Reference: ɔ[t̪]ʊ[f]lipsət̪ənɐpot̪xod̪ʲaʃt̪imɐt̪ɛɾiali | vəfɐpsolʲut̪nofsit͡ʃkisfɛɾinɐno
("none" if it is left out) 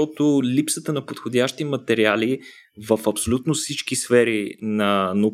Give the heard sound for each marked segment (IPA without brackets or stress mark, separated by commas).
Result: t̪, none